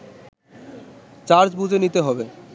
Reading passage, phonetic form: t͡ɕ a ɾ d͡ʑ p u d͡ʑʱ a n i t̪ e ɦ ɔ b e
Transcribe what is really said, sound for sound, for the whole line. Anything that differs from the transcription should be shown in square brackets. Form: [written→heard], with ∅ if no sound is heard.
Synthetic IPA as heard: t͡ɕ a ɾ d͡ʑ [p→b] u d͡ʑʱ [a→e] n i t̪ e ɦ ɔ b e